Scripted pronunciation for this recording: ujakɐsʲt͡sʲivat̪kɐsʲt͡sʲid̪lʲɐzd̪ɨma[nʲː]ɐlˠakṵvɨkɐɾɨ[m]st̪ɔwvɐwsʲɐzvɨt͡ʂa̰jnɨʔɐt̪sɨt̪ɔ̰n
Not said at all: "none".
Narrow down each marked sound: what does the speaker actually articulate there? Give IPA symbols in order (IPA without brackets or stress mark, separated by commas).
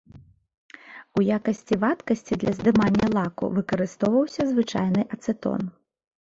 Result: nʲː, none